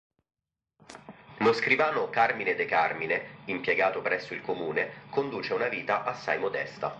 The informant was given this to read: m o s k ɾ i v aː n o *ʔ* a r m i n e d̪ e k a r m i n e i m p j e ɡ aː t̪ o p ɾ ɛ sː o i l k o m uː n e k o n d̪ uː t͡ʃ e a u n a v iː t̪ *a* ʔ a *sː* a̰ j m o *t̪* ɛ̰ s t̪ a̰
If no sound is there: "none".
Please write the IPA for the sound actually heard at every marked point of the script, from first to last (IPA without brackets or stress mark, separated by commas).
k, a, sː, d̪